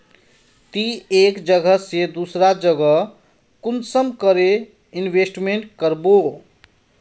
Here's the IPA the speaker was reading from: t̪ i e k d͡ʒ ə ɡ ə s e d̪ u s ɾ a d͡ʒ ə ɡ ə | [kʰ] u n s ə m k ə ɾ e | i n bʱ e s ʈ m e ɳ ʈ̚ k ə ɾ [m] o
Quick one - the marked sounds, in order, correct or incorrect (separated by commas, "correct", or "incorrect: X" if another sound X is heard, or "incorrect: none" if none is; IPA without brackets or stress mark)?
incorrect: k, incorrect: b